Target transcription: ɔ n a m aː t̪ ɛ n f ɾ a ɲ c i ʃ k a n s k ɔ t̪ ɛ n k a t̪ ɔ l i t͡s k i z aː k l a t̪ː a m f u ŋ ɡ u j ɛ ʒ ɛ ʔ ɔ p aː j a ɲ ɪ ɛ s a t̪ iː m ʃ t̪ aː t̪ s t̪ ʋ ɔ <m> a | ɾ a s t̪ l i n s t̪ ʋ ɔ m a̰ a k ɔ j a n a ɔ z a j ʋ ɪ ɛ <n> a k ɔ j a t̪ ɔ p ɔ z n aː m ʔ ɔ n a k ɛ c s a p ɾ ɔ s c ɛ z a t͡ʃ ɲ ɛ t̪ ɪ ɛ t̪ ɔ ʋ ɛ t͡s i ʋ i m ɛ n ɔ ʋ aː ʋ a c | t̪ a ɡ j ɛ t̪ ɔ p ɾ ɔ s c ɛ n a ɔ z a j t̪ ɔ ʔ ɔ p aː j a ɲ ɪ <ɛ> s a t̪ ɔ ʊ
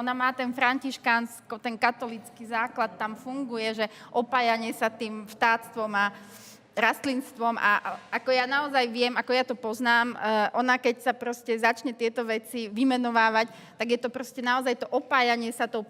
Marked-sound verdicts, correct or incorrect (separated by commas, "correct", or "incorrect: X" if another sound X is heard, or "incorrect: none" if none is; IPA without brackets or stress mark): correct, incorrect: m, correct